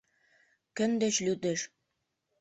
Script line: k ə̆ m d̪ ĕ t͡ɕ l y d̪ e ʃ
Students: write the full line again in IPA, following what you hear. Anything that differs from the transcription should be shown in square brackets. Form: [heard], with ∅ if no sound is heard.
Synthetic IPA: k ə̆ [n] d̪ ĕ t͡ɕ l y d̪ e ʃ